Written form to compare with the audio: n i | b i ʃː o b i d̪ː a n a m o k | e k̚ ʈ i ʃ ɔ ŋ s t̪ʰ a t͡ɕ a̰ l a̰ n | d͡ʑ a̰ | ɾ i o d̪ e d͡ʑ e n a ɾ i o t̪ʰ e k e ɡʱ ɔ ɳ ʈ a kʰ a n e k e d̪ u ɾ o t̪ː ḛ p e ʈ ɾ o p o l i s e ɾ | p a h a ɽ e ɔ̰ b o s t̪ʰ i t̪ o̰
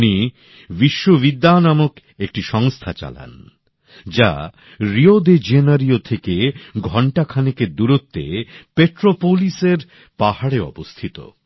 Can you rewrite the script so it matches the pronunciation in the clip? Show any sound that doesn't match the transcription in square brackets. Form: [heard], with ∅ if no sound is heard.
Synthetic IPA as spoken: n i | b i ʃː o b i d̪ː a n a m o k | e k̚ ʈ i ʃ ɔ ŋ s t̪ʰ a t͡ɕ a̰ l a̰ n | d͡ʑ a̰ | ɾ i o d̪ e d͡ʑ e n a ɾ i o t̪ʰ e k e ɡʱ ɔ ɳ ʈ a kʰ a n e k e d̪ u ɾ o t̪ː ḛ p e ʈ ɾ o p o l i s e ɾ | p a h a ɽ e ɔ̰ b o s t̪ʰ i t̪ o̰